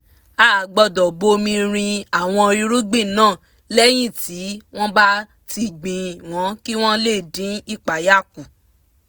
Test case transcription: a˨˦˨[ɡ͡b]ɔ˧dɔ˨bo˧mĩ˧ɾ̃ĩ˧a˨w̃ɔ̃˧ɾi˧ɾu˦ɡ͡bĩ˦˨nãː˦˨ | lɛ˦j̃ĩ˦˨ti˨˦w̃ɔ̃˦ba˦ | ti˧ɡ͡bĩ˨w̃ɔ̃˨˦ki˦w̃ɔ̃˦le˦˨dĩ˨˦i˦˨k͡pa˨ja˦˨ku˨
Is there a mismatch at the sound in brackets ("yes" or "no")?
no